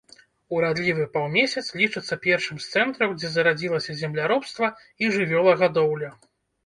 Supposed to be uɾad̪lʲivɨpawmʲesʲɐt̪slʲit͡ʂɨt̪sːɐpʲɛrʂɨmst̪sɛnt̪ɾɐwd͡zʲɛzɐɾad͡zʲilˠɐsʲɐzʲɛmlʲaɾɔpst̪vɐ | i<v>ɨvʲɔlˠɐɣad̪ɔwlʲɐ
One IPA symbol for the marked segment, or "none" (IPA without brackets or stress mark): ʐ